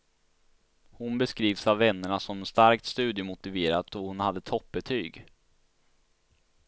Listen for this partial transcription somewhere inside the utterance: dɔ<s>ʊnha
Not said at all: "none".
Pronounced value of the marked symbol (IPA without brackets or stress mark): h